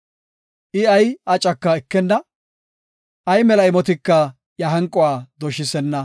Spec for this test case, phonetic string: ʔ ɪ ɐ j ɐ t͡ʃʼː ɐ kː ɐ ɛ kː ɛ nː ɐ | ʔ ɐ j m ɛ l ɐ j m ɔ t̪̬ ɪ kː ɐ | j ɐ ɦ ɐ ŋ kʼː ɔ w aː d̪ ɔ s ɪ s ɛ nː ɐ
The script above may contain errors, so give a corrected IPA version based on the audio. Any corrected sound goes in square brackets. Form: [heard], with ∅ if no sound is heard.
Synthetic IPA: ʔ ɪ ɐ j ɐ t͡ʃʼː ɐ kː ɐ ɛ kː ɛ nː ɐ | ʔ ɐ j m ɛ l ɐ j m ɔ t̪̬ ɪ kː ɐ | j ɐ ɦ ɐ ŋ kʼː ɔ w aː d̪ ɔ [ʃ] ɪ s ɛ nː ɐ

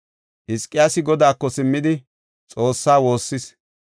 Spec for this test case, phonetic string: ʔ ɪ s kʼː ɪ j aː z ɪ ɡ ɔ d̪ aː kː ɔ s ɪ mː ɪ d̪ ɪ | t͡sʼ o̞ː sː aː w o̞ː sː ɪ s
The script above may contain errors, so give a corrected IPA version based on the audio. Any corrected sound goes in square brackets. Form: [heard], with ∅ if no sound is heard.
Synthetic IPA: ʔ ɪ s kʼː ɪ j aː [s] ɪ ɡ ɔ d̪ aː kː ɔ s ɪ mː ɪ d̪ ɪ | t͡sʼ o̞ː sː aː w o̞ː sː ɪ s

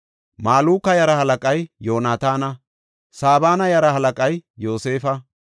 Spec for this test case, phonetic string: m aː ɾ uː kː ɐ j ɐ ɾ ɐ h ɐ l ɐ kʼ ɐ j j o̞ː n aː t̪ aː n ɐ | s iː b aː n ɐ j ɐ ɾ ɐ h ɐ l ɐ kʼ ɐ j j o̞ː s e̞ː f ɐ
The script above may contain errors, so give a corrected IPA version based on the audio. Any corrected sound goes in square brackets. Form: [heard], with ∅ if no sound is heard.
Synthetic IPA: m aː [l] uː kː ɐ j ɐ ɾ ɐ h ɐ l ɐ kʼ ɐ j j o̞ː n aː t̪ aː n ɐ | s [aː] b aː n ɐ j ɐ ɾ ɐ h ɐ l ɐ kʼ ɐ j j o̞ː s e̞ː f ɐ

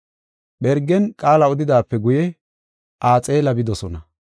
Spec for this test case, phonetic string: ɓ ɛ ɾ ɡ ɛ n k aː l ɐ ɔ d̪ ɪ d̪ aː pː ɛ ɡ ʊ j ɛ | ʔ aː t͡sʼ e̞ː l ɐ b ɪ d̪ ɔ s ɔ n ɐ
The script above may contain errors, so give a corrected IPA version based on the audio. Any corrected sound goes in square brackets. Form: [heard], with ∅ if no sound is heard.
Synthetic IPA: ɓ ɛ ɾ ɡ ɛ n [kʼ] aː l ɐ ɔ d̪ ɪ d̪ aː pː ɛ ɡ ʊ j ɛ | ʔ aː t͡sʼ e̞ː l ɐ b ɪ d̪ ɔ s ɔ n ɐ

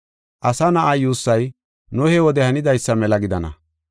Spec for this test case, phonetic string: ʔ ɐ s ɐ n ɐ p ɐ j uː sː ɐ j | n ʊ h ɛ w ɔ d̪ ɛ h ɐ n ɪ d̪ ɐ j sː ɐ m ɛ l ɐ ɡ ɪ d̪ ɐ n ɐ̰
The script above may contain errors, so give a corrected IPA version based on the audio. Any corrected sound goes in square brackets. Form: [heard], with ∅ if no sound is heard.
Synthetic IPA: ʔ ɐ s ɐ n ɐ [ʔ] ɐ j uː sː ɐ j | n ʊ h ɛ w ɔ d̪ ɛ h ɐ n ɪ d̪ ɐ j sː ɐ m ɛ l ɐ ɡ ɪ d̪ ɐ n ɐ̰

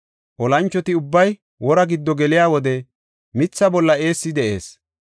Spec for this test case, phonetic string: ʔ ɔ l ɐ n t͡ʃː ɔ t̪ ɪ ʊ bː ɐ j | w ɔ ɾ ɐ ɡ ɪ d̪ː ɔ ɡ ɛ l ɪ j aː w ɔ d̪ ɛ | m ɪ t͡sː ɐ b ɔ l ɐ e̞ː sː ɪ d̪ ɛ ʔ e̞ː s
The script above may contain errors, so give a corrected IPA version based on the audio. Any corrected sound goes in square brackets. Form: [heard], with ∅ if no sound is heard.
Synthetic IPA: ʔ ɔ l ɐ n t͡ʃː ɔ t̪ ɪ ʊ bː ɐ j | w ɔ ɾ ɐ ɡ ɪ d̪ː ɔ ɡ ɛ l ɪ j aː w ɔ d̪ ɛ | m ɪ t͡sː ɐ b ɔ [lː] ɐ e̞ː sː ɪ d̪ ɛ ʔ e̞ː s

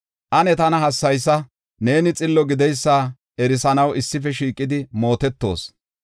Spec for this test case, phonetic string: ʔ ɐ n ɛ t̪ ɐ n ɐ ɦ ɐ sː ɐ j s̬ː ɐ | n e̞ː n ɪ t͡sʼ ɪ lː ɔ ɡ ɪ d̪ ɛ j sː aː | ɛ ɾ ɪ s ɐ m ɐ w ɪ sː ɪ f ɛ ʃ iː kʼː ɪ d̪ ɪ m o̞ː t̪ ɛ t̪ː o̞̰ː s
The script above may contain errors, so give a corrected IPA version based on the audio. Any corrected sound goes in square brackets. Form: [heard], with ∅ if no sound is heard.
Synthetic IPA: ʔ ɐ n ɛ t̪ ɐ n ɐ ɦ ɐ sː ɐ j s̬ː ɐ | n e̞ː n ɪ t͡sʼ ɪ lː ɔ ɡ ɪ d̪ ɛ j sː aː | ɛ ɾ ɪ s ɐ [n] ɐ w ɪ sː ɪ f ɛ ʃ iː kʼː ɪ d̪ ɪ m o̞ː t̪ ɛ t̪ː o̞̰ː s

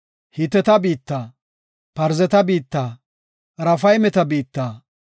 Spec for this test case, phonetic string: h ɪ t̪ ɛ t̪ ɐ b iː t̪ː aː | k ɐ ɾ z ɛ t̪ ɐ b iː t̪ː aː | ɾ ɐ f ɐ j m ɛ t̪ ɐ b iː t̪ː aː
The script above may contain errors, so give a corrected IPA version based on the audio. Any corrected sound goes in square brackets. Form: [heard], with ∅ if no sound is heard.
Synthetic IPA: h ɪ t̪ ɛ t̪ ɐ b iː t̪ː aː | [p] ɐ ɾ z ɛ t̪ ɐ b iː t̪ː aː | ɾ ɐ f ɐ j m ɛ t̪ ɐ b iː t̪ː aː

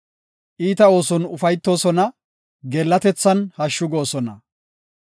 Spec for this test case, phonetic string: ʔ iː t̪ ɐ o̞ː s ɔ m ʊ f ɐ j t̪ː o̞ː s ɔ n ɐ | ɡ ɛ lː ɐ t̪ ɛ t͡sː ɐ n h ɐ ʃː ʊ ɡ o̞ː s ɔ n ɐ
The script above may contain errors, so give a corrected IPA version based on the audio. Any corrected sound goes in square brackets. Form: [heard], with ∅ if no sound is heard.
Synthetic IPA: ʔ iː t̪ ɐ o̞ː s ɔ [n] ʊ f ɐ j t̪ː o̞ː s ɔ n ɐ | ɡ ɛ lː ɐ t̪ ɛ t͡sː ɐ n h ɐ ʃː ʊ ɡ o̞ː s ɔ n ɐ

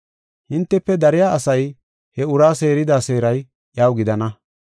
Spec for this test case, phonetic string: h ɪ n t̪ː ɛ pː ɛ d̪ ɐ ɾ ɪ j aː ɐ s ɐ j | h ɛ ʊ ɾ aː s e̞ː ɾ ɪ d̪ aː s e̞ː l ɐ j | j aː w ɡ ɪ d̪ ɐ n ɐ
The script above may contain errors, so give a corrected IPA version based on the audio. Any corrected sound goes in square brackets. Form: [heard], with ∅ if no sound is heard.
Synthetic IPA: h ɪ n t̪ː ɛ pː ɛ d̪ ɐ ɾ ɪ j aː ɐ s ɐ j | h ɛ ʊ ɾ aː s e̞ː ɾ ɪ d̪ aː s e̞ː [ɾ] ɐ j | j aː w ɡ ɪ d̪ ɐ n ɐ

